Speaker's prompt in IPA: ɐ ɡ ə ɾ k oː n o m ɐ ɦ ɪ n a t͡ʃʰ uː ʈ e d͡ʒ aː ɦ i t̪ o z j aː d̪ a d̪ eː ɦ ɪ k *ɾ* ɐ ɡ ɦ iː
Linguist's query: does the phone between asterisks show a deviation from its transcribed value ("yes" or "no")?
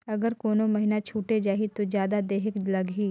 yes